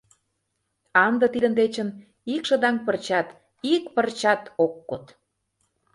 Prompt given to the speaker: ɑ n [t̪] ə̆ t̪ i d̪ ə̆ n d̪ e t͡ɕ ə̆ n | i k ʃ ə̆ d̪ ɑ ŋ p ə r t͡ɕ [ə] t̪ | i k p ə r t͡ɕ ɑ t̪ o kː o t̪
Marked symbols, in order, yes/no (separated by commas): no, no